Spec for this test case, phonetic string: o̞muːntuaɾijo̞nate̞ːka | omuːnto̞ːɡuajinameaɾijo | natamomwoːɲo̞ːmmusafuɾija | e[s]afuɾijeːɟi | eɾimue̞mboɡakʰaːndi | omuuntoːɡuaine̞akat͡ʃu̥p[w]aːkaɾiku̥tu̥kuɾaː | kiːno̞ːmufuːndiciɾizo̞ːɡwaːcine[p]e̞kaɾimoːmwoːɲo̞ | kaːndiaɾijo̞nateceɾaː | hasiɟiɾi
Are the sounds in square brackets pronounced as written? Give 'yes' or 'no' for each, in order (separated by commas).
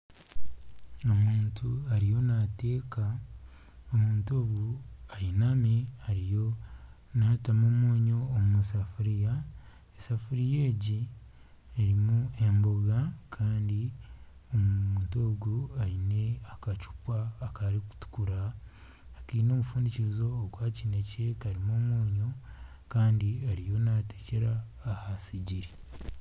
yes, yes, no